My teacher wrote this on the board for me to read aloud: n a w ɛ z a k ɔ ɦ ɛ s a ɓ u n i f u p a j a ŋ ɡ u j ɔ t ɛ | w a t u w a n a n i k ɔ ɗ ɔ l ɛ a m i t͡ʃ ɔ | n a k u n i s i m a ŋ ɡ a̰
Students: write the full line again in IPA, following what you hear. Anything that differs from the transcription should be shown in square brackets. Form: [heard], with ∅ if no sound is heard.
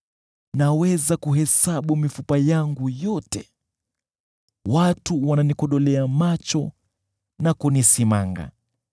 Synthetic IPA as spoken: n a w ɛ z a k [u] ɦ ɛ s a ɓ u [m] i f u p a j a ŋ ɡ u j ɔ t ɛ | w a t u w a n a n i k ɔ ɗ ɔ l ɛ a m [a] t͡ʃ ɔ | n a k u n i s i m a ŋ ɡ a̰